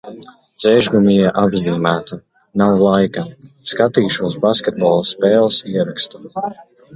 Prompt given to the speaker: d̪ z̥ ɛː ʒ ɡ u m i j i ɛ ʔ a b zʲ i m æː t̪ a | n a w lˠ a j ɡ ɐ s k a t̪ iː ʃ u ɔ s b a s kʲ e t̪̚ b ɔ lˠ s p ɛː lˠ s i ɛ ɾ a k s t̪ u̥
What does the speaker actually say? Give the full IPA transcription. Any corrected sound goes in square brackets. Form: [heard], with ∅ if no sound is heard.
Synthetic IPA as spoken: d̪ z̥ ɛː ʒ ɡ u m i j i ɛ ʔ a b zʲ [iː] m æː t̪ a | n a w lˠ a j [k] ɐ s k a t̪ iː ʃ u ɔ s b a s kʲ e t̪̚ b ɔ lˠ s p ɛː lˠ s i ɛ ɾ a k s t̪ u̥